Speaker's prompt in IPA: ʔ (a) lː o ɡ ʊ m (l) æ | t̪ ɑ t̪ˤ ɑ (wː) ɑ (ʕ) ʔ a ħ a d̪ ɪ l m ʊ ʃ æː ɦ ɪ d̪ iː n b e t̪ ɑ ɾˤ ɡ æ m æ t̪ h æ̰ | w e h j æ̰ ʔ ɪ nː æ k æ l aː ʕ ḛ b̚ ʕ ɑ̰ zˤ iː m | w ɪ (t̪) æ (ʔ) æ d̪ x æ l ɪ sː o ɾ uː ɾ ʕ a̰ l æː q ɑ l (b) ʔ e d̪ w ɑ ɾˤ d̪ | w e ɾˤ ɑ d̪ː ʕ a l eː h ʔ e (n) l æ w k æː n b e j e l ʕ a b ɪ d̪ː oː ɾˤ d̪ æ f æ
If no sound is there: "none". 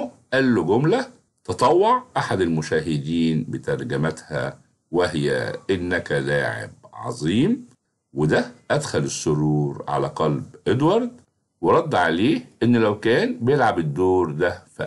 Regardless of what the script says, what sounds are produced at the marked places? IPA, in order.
æ, l, wː, ʕ, d̪, ʔ, b, nː

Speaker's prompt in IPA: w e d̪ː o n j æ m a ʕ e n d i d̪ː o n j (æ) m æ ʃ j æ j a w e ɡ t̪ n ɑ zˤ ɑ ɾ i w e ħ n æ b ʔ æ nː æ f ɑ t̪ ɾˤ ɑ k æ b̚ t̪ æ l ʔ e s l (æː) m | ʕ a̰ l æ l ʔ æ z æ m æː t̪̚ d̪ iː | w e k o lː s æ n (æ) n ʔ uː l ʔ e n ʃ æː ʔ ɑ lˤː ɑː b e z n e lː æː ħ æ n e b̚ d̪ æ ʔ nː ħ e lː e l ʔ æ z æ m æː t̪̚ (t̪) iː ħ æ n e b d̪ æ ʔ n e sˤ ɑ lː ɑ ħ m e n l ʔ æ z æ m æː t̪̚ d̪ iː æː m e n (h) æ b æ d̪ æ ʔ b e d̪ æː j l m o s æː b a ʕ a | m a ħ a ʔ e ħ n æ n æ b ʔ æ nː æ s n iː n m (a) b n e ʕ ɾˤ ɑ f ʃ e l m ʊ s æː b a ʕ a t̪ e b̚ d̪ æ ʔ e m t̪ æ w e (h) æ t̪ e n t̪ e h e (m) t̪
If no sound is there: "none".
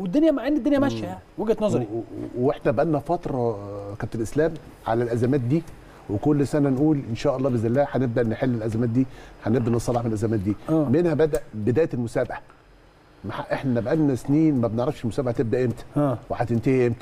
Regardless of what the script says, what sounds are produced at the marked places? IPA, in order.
æ, æː, æ, d̪, h, æ, ħ, m

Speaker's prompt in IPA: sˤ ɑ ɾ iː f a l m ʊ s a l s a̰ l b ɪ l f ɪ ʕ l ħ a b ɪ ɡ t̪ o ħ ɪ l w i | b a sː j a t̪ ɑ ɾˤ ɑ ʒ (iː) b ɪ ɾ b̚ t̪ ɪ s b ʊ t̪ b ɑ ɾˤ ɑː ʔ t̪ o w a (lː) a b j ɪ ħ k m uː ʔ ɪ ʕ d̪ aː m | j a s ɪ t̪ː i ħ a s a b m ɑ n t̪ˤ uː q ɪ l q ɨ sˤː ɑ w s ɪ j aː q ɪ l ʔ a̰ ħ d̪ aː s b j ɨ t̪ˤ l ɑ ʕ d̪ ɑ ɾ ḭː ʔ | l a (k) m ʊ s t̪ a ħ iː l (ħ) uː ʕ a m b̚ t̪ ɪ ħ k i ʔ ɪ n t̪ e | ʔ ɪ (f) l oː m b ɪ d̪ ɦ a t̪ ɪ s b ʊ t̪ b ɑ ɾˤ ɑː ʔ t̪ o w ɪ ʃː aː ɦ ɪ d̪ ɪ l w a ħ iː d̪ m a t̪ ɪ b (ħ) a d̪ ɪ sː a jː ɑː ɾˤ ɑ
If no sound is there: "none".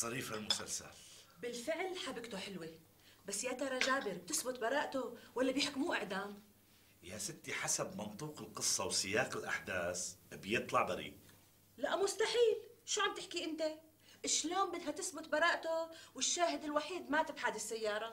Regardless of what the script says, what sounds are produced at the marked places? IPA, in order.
aː, lː, ʔ, ʃ, ʃ, ħ

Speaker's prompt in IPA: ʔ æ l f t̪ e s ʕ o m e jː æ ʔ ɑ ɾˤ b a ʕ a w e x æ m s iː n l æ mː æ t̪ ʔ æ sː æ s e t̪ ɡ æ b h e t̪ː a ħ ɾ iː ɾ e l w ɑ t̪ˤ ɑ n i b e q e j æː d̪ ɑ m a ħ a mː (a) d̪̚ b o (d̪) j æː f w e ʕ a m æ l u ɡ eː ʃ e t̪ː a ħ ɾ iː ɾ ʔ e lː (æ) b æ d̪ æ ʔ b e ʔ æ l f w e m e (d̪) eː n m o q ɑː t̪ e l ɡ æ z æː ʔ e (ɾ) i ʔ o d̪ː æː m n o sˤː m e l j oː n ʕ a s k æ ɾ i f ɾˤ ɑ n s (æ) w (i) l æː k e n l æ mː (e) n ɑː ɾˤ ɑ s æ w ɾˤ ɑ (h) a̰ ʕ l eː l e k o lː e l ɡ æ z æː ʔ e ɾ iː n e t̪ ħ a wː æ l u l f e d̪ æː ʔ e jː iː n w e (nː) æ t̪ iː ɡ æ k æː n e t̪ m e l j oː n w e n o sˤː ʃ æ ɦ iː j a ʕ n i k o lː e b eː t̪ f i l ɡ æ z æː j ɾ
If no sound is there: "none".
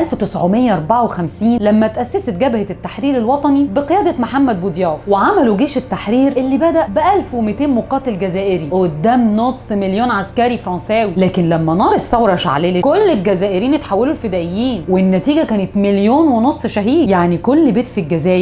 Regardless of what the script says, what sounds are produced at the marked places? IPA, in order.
æ, d̪, i, t̪, ɾ, æː, i, æ, ʃ, nː

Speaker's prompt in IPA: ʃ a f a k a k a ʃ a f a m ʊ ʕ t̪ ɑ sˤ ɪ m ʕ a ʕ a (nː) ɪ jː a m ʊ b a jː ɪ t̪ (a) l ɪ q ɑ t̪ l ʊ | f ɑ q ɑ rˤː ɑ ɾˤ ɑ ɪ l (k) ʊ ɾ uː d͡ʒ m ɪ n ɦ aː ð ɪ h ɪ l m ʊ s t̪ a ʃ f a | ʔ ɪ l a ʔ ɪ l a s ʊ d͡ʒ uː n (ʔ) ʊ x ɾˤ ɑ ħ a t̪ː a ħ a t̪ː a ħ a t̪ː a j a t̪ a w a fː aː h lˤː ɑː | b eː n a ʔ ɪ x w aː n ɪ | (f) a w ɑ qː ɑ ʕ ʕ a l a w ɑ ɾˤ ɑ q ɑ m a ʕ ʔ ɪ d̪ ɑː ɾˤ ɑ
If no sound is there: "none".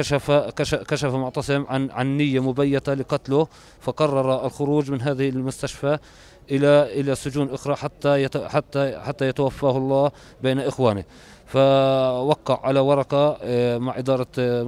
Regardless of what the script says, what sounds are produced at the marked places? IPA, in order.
nː, a, x, ʔ, f

